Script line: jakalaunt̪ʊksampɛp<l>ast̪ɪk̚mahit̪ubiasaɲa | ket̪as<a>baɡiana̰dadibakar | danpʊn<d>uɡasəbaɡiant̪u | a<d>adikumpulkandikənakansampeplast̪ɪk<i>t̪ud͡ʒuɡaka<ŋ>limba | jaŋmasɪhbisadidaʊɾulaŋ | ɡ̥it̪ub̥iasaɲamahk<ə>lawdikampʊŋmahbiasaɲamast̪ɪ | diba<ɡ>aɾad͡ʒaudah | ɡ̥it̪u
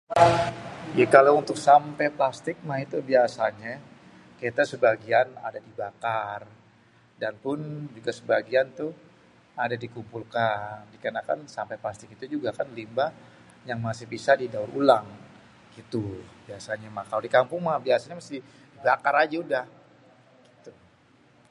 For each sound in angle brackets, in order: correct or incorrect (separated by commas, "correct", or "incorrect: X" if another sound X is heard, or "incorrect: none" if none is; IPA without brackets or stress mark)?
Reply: correct, incorrect: ə, incorrect: d͡ʒ, correct, correct, incorrect: n, incorrect: a, incorrect: k